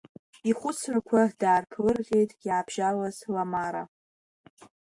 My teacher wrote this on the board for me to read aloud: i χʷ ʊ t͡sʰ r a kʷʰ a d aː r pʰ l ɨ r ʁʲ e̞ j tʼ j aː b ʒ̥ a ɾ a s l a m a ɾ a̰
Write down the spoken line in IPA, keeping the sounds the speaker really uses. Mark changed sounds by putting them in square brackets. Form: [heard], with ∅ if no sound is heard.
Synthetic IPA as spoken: i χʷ ʊ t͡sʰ r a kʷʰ a d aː r pʰ l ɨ r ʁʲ e̞ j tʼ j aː b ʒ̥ a [l] a [z] l a m a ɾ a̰